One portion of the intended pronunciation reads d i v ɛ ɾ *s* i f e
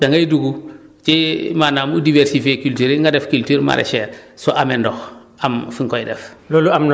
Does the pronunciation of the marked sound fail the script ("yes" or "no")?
no